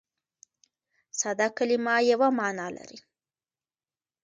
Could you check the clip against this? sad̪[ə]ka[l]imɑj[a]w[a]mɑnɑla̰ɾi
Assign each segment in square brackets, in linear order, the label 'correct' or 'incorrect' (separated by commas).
incorrect, correct, correct, correct